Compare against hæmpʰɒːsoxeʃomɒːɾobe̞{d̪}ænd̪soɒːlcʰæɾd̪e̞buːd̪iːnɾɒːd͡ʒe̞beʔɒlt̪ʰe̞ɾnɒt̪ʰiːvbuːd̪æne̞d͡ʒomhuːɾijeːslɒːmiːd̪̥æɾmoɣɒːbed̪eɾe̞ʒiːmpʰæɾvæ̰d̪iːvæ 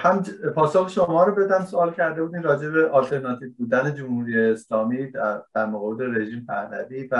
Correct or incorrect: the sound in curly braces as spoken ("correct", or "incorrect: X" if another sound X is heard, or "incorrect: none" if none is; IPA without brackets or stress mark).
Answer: correct